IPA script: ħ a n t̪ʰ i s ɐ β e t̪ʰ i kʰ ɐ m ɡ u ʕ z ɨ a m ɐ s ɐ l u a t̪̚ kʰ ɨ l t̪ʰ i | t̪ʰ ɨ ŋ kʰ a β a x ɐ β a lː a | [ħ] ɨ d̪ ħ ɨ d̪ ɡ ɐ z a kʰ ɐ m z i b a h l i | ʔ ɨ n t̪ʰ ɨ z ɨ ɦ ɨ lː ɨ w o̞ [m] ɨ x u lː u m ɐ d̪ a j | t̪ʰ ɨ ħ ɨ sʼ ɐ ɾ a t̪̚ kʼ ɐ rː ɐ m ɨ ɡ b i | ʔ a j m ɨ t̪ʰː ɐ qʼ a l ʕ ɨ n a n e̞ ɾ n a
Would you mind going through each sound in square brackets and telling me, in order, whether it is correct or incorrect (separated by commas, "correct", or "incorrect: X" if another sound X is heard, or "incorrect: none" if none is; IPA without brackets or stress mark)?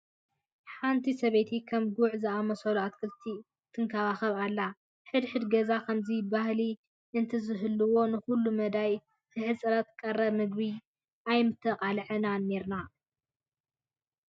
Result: correct, incorrect: n